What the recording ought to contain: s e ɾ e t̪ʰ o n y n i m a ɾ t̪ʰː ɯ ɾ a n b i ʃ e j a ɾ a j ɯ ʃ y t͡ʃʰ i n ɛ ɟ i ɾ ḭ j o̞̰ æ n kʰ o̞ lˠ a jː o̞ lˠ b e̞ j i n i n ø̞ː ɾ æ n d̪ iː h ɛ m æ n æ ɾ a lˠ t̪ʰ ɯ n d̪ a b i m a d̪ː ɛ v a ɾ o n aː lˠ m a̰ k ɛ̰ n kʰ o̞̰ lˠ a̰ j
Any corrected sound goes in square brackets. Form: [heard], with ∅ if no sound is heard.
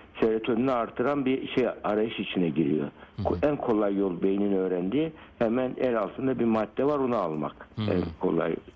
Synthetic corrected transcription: s e ɾ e t̪ʰ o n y n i [∅] a ɾ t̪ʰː ɯ ɾ a n b i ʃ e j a ɾ a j ɯ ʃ [i] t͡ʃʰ i n ɛ ɟ i ɾ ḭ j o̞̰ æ n kʰ o̞ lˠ a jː o̞ lˠ b e̞ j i n i n ø̞ː ɾ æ n d̪ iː h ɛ m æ n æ ɾ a lˠ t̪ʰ ɯ n d̪ a b i m a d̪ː ɛ v a ɾ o n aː lˠ m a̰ k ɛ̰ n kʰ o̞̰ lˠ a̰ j